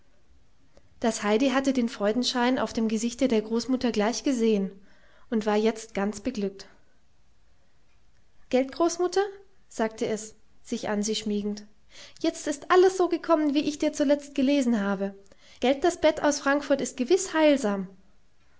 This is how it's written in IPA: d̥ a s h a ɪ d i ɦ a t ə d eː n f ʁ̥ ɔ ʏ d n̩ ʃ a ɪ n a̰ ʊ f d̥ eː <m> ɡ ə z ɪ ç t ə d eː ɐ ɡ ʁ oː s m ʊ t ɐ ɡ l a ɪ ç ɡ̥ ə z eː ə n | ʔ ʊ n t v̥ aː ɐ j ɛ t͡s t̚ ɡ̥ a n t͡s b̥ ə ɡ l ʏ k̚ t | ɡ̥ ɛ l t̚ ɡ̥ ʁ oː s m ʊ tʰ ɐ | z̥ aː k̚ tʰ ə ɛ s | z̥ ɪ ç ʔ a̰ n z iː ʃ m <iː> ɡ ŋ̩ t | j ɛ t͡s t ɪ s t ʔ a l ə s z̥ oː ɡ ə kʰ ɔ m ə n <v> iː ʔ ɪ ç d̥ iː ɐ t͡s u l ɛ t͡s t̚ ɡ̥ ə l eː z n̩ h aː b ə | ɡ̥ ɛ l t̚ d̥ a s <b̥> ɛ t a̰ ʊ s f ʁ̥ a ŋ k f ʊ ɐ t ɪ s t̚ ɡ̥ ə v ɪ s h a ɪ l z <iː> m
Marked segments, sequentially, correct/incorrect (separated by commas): correct, correct, correct, correct, incorrect